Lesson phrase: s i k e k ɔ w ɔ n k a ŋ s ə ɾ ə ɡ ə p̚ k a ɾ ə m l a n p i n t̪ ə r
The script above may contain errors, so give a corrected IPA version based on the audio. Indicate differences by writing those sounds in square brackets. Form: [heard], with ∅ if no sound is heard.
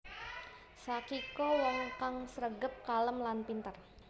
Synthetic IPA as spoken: s [a] k [i] k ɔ w ɔ [ŋ] k a ŋ s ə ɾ ə ɡ ə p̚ k a [l] ə m l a n p i n t̪ ə r